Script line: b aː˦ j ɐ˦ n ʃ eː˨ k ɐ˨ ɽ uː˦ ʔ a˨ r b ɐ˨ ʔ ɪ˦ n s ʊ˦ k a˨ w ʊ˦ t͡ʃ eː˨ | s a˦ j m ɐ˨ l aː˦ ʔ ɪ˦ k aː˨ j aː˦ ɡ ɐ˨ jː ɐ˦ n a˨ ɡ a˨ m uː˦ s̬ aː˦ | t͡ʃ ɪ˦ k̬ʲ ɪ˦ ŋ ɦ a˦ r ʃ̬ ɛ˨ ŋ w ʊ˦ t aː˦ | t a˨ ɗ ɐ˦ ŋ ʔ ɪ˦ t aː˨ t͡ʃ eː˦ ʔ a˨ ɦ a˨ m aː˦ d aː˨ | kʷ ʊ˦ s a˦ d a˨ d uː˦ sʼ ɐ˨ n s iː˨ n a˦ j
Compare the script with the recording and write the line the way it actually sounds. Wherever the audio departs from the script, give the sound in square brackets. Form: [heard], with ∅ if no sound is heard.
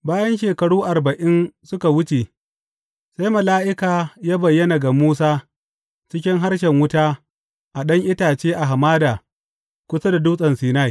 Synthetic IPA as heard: b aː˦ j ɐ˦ n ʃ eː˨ k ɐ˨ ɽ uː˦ ʔ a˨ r b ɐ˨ ʔ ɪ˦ n s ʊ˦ k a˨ w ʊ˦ t͡ʃ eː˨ | s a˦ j m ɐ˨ l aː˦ ʔ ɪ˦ k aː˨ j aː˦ [b] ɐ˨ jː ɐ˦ n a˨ ɡ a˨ m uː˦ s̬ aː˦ | t͡ʃ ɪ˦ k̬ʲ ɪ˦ ŋ ɦ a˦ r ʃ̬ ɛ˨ ŋ w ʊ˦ t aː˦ | [ʔ] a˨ ɗ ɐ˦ ŋ ʔ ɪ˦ t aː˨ t͡ʃ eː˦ ʔ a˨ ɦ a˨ m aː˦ d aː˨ | kʷ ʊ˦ s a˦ d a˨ d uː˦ sʼ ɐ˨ n s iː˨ n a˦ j